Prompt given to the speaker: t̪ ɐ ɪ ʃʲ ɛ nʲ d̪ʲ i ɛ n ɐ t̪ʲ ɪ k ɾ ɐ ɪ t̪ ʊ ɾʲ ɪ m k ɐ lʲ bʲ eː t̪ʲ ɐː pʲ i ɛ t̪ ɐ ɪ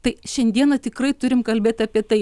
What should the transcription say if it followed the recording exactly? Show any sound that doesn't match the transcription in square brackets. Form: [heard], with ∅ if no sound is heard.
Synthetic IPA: t̪ ɐ ɪ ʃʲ ɛ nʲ d̪ʲ i ɛ n ɐ t̪ʲ ɪ k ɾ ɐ ɪ t̪ ʊ ɾʲ ɪ m k ɐ lʲ bʲ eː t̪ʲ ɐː pʲ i ɛ t̪ ɐ ɪ